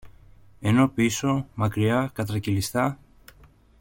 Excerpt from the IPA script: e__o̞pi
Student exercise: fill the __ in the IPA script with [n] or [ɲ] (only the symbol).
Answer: n